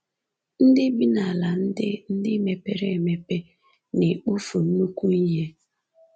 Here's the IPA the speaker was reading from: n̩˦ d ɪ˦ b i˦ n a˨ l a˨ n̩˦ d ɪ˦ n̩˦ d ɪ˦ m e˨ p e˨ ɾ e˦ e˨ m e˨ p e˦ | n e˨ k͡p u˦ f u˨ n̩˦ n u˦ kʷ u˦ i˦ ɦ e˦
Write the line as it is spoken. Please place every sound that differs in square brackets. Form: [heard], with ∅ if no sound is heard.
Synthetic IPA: n̩˦ d ɪ˦ b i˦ n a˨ l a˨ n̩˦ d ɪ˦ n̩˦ d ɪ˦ m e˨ p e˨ ɾ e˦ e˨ m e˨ p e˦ | n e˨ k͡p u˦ f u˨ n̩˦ n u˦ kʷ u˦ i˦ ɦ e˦